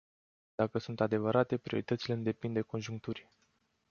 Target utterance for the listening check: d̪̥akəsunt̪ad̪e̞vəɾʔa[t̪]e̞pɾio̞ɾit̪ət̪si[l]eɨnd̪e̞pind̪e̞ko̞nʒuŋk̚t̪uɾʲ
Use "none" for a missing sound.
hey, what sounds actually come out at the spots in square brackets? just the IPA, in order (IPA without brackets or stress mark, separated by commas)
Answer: t̪, l